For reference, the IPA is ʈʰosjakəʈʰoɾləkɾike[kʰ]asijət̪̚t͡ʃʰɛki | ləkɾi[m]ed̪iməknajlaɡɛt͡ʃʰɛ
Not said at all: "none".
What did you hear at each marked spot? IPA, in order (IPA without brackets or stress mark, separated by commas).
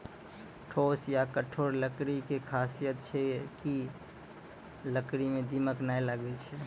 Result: kʰ, m